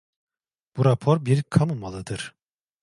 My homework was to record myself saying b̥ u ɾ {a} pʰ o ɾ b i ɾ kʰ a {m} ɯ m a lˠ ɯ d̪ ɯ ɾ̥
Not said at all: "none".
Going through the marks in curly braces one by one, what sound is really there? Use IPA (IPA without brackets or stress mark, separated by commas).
a, m